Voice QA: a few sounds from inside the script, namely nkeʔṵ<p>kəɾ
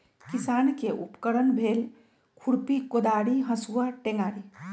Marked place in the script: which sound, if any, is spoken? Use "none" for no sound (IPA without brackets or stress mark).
p